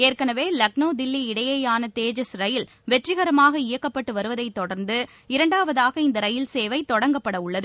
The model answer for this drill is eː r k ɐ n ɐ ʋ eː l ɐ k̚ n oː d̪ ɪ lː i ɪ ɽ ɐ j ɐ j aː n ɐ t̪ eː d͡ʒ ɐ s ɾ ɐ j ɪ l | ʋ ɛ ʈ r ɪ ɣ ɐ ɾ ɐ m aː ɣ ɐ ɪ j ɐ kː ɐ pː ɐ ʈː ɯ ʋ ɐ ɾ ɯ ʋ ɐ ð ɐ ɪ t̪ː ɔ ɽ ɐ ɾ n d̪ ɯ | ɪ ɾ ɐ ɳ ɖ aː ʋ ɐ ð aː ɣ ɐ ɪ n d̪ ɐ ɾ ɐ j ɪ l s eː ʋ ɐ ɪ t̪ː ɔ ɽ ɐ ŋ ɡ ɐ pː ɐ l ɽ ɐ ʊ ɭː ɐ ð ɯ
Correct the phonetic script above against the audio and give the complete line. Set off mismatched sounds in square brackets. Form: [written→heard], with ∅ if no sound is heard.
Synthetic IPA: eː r k ɐ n ɐ ʋ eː l ɐ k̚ n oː d̪ ɪ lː i ɪ ɽ ɐ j ɐ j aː n ɐ t̪ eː d͡ʒ ɐ s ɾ ɐ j ɪ l | ʋ ɛ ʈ r ɪ ɣ ɐ ɾ ɐ m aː ɣ ɐ ɪ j ɐ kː ɐ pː ɐ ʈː ɯ ʋ ɐ ɾ ɯ ʋ ɐ ð ɐ ɪ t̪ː ɔ ɽ ɐ ɾ n d̪ ɯ | ɪ ɾ ɐ ɳ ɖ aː ʋ ɐ ð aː ɣ ɐ ɪ n d̪ ɐ ɾ ɐ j ɪ l s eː ʋ ɐ ɪ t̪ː ɔ ɽ ɐ ŋ ɡ ɐ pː ɐ [l→∅] ɽ ɐ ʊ ɭː ɐ ð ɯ